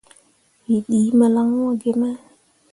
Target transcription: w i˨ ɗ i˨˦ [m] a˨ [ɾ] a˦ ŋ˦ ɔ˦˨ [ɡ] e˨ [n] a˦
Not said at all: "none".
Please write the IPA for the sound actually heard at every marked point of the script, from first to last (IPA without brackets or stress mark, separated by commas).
m, l, ɡ, m